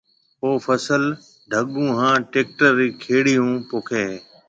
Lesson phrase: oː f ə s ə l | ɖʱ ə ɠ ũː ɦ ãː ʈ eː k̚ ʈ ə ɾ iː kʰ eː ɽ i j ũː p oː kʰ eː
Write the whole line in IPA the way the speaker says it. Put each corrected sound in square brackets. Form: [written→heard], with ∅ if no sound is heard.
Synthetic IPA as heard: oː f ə s ə l | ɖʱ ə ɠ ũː ɦ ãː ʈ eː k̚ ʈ ə ɾ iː kʰ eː ɽ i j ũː p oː kʰ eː